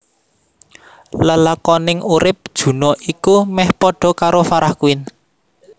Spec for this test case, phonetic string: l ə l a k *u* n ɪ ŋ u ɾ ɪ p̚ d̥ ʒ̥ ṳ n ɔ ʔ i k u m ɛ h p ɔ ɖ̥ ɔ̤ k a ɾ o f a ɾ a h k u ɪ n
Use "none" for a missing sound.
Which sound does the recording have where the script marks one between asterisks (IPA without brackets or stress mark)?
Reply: ɔ